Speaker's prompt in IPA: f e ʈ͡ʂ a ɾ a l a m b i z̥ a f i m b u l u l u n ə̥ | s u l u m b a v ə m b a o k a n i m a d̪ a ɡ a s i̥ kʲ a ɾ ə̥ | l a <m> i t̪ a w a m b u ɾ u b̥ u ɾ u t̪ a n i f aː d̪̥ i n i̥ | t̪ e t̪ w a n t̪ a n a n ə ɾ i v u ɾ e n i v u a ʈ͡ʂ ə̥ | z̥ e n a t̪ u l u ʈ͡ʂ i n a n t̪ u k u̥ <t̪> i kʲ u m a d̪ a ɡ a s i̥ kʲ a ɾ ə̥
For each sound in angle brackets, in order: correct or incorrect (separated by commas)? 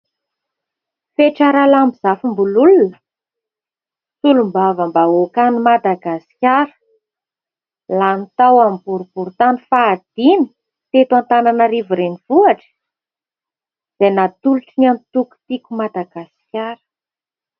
incorrect, correct